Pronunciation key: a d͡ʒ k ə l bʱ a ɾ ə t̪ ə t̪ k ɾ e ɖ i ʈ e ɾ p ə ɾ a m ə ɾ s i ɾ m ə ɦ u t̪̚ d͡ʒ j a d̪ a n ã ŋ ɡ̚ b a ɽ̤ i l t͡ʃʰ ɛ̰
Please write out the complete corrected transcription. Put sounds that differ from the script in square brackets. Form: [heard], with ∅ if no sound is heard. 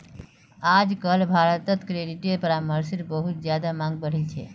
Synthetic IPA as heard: a d͡ʒ k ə l bʱ a ɾ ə t̪ ə t̪ k ɾ e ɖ i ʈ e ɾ p ə ɾ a m ə ɾ s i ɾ [b] ə ɦ u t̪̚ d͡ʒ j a d̪ a [m] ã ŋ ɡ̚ b [ə] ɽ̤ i l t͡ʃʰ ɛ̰